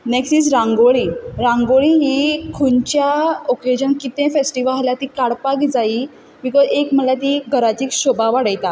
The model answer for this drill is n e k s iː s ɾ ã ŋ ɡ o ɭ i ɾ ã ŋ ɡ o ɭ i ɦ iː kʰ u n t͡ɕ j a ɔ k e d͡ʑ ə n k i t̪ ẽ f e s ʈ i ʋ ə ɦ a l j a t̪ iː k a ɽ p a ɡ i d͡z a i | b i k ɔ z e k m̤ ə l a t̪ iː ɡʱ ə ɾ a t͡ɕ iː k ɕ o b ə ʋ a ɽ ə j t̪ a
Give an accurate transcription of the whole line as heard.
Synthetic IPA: n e k s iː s ɾ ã ŋ ɡ o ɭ i ɾ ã ŋ ɡ o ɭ i ɦ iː kʰ u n t͡ɕ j a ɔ k e d͡ʑ ə n k i t̪ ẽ f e s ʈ i ʋ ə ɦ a l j a t̪ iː k a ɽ p a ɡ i d͡z a i | b i k ɔ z e k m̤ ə l a t̪ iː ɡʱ ə ɾ a t͡ɕ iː k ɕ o b a ʋ a ɽ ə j t̪ a